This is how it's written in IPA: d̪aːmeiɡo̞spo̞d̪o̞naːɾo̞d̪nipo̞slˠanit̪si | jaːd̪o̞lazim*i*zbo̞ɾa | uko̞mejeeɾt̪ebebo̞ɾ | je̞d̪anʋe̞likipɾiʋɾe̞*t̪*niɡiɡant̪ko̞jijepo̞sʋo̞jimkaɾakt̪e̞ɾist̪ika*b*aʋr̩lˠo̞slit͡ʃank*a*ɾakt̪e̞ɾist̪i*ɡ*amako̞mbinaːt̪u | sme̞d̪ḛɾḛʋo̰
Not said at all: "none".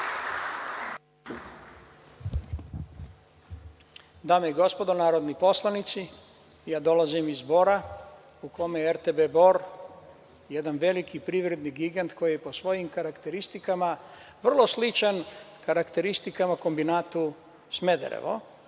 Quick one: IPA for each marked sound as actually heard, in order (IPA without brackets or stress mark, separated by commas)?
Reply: i, d̪, m, a, k